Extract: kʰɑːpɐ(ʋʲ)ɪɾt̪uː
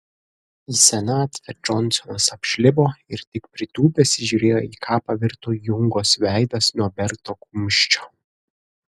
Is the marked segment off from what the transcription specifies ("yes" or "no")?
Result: no